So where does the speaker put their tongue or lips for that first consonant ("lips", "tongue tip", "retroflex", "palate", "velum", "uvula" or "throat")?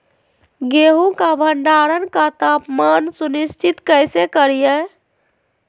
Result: velum